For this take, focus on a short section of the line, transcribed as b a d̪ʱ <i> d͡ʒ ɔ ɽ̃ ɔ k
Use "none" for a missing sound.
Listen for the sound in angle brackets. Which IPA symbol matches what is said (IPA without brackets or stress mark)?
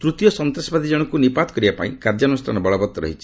i